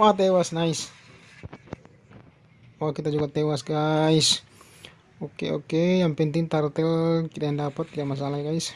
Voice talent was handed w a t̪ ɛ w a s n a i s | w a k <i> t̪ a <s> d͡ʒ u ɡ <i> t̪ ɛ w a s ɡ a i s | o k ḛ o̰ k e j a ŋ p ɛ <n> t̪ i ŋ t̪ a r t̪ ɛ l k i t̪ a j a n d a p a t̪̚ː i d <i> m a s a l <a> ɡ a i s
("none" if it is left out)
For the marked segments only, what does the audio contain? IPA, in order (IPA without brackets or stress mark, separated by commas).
i, none, a, n, a, a